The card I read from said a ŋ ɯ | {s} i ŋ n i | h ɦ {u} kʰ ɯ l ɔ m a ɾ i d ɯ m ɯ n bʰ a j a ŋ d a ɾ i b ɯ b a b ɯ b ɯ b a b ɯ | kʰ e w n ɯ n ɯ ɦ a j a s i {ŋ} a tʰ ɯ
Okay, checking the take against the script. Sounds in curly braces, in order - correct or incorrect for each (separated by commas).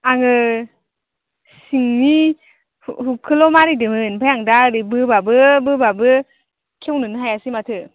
correct, correct, incorrect